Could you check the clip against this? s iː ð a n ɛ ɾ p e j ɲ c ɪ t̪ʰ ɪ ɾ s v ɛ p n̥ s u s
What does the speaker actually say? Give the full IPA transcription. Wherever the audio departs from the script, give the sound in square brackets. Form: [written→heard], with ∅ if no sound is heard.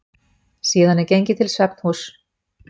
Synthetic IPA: s iː ð a n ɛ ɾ [p→c] e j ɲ c ɪ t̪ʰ ɪ [ɾ→l] s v ɛ p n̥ [s→h] u s